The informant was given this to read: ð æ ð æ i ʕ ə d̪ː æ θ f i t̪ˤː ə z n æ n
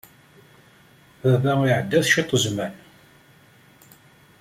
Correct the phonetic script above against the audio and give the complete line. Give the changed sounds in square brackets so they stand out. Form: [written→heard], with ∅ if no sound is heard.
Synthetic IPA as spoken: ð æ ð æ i ʕ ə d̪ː æ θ [f→ʃ] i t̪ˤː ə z [n→m] æ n